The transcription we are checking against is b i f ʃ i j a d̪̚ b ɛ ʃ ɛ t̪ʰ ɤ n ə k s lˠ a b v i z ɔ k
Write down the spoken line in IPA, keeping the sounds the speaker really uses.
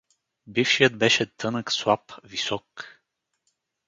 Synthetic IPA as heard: b i f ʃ i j ə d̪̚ b ɛ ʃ ɛ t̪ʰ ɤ n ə k s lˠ a p v i s ɔ k

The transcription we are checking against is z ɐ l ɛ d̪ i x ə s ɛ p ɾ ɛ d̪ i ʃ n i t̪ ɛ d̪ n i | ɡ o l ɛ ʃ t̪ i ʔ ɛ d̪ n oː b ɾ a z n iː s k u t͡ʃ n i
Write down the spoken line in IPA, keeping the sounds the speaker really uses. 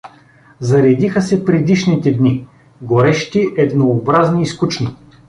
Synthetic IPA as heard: z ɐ ɾ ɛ d̪ i x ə s ɛ p ɾ ɛ d̪ i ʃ n i t̪ ɛ d̪ n i | ɡ o ɾ ɛ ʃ t̪ i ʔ ɛ d̪ n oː b ɾ a z n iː s k u t͡ʃ n i

